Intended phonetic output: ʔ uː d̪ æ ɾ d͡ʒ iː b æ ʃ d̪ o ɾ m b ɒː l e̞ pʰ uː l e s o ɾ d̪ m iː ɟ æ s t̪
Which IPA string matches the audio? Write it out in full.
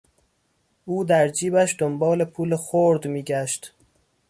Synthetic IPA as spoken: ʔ uː d̪ æ ɾ d͡ʒ iː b æ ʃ d̪ o m b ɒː l e̞ pʰ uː l e x o ɾ d̪ m iː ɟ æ ʃ t̪